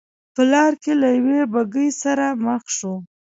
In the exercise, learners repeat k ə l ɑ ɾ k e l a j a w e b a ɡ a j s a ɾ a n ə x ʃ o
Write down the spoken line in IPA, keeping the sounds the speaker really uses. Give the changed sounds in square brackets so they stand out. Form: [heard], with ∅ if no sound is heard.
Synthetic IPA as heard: [p] ə l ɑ ɾ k e l a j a w e b a ɡ [ə] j s a ɾ a [m] ə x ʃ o